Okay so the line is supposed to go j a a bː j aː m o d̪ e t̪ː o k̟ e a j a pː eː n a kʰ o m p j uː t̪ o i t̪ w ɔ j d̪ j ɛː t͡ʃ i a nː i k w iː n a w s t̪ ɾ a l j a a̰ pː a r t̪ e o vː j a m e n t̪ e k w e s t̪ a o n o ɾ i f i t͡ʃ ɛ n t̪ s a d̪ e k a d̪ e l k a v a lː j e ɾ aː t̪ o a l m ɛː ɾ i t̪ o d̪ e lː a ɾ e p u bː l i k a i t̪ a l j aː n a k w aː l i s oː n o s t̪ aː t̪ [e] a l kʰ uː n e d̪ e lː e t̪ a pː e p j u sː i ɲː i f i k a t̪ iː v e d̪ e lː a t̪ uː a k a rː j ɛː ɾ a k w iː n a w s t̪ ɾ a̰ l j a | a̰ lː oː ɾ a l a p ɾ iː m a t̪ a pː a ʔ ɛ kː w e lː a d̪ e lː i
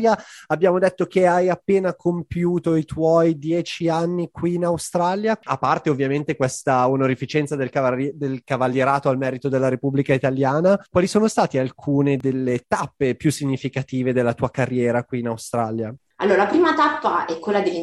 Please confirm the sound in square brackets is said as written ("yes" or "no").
no